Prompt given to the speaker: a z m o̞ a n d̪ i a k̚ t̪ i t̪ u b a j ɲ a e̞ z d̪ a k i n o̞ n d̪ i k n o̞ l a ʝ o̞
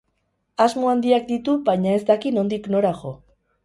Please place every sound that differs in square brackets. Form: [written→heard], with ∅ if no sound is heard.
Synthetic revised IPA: a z m o̞ a n d̪ i a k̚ [t̪→d̪] i t̪ u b a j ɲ a e̞ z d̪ a k i n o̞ n d̪ i k n o̞ [l→ɾ] a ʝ o̞